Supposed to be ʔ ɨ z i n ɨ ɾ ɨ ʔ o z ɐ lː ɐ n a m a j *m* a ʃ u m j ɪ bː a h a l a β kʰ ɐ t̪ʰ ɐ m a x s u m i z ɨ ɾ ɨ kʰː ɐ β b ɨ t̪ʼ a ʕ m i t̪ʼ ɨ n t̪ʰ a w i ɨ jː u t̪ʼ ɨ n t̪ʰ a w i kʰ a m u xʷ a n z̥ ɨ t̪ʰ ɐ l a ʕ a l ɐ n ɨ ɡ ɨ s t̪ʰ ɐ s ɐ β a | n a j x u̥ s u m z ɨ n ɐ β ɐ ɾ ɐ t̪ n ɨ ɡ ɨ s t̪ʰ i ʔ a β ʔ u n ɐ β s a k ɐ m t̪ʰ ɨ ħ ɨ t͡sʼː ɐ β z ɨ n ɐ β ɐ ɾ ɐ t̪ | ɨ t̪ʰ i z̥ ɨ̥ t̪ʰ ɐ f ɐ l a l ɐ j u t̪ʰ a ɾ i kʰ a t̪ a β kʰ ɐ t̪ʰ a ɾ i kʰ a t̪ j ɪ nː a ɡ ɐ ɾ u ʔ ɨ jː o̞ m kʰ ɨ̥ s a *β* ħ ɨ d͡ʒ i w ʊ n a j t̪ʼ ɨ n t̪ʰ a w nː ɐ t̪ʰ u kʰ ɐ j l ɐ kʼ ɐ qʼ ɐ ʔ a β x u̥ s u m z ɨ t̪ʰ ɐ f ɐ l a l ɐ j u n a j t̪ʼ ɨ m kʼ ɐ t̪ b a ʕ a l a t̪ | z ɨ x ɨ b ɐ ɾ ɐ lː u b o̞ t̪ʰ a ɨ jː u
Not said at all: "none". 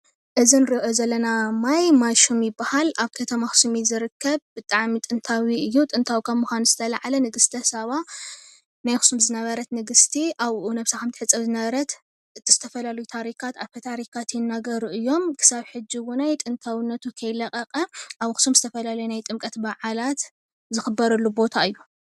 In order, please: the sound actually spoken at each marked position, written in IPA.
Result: m, β

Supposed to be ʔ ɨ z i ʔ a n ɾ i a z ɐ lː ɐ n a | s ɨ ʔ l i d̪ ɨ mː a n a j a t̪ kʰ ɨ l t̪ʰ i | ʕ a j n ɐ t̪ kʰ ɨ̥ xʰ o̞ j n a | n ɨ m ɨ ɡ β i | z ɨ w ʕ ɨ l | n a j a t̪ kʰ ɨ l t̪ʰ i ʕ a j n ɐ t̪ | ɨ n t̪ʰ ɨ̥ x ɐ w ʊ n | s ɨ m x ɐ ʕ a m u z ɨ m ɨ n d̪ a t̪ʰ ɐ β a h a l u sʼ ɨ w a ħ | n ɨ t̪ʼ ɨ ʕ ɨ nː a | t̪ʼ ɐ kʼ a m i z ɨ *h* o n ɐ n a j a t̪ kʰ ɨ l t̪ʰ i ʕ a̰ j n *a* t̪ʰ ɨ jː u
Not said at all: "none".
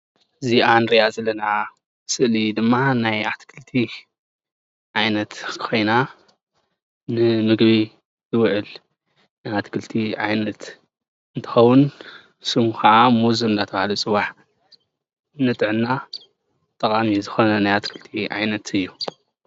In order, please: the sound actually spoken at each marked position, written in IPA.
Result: x, ɐ

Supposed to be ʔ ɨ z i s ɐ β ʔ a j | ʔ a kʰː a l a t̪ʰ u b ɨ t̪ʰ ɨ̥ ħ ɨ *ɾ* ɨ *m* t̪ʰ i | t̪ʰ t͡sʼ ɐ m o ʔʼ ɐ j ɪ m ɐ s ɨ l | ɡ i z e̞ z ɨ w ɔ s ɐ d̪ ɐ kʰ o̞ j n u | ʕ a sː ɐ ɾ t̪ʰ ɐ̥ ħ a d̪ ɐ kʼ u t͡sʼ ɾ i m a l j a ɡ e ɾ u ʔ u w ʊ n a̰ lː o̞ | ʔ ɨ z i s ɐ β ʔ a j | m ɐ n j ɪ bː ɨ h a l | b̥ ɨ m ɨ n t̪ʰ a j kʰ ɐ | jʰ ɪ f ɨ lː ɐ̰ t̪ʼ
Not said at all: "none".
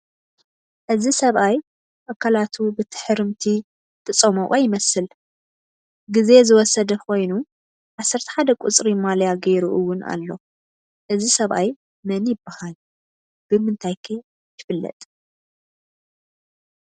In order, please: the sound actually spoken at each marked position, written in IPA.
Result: ɾ, m

